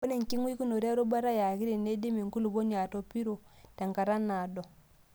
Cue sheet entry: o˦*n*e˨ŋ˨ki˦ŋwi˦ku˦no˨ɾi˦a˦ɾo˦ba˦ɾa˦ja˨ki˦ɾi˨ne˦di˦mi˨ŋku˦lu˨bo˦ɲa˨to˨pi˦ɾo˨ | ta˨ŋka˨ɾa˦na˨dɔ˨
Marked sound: correct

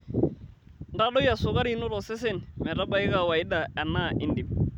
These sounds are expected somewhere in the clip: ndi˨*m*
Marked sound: correct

